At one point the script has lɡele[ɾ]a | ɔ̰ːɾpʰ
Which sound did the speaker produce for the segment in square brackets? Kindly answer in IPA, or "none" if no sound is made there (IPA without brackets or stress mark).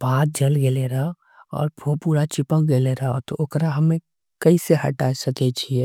ɾ